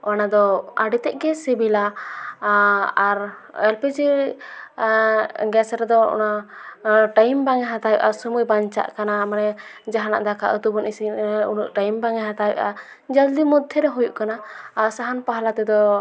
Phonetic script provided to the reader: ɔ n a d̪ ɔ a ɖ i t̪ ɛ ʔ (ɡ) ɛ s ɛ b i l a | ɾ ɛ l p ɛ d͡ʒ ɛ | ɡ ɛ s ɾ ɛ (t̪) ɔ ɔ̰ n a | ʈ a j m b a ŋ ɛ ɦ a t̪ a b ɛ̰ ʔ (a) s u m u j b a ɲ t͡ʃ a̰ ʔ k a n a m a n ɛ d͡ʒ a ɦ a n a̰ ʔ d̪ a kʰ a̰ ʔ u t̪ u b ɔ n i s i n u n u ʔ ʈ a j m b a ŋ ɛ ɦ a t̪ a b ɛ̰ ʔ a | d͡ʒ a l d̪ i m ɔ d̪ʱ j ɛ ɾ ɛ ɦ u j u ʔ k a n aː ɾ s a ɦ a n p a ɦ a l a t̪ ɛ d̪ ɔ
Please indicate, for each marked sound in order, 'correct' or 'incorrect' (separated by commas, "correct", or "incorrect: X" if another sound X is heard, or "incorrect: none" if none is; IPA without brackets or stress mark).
correct, incorrect: d̪, correct